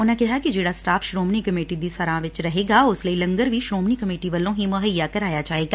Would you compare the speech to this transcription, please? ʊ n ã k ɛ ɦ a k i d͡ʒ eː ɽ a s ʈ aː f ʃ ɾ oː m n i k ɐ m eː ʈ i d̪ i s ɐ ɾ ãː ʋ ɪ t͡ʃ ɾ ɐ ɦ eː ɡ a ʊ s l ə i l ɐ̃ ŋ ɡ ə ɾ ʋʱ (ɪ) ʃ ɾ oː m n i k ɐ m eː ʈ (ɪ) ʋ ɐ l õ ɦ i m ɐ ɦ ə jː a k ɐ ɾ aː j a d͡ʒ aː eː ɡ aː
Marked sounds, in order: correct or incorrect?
incorrect: i, incorrect: i

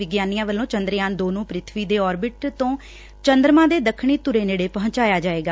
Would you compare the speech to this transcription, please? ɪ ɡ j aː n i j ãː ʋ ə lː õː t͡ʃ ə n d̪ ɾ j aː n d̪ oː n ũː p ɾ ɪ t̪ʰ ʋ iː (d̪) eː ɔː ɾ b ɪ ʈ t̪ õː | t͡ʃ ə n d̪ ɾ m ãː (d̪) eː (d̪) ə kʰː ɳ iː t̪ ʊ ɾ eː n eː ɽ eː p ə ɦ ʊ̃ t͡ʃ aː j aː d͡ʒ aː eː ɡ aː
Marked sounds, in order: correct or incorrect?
correct, correct, correct

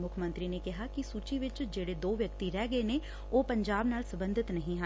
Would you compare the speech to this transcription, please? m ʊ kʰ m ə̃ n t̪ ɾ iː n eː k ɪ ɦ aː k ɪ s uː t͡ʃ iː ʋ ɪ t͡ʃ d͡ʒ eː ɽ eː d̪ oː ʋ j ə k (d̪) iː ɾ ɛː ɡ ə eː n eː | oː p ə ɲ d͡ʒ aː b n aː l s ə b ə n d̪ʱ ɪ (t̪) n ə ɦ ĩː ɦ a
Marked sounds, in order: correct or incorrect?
incorrect: t̪, correct

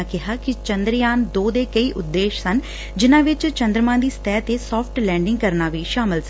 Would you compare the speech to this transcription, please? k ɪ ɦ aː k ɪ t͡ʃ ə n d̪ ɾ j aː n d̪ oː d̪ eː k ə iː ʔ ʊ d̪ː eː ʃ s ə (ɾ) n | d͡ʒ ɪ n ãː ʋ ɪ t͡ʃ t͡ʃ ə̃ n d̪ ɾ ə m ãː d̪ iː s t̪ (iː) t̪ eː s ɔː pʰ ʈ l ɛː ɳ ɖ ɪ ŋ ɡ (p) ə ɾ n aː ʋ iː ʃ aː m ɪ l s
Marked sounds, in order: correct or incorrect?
incorrect: none, incorrect: ɛː, incorrect: k

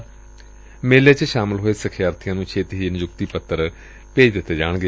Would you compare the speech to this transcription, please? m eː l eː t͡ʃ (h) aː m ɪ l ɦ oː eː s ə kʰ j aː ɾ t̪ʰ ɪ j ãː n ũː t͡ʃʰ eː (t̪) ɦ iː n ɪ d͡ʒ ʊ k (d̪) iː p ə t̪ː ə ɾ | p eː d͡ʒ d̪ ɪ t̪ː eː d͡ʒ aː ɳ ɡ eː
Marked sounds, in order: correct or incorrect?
incorrect: ʃ, correct, incorrect: t̪

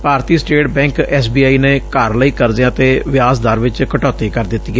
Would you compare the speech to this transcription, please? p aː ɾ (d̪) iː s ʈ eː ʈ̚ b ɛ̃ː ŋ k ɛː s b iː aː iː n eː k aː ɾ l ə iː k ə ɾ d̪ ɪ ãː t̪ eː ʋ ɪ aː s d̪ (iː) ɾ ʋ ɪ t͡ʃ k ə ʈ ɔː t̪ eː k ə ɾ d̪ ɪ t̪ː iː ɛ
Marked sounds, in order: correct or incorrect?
incorrect: t̪, incorrect: aː

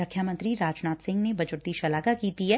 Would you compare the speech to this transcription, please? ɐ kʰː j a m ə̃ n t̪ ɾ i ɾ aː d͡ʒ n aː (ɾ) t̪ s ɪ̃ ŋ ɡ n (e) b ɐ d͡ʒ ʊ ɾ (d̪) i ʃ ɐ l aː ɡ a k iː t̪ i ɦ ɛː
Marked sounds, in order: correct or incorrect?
incorrect: none, correct, incorrect: t̪

